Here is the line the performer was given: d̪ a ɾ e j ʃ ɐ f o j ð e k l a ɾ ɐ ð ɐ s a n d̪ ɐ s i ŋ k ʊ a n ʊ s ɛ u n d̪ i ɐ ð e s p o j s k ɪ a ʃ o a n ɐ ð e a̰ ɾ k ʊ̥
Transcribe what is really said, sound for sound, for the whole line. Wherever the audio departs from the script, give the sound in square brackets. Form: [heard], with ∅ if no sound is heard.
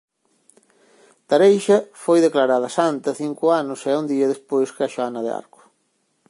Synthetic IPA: [t̪] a ɾ e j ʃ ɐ f o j ð e k l a ɾ [a] ð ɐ s a n [t̪] ɐ [θ] i ŋ k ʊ a n ʊ s ɛ u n d̪ i ɐ ð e s p o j s k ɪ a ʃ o a n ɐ ð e a̰ ɾ k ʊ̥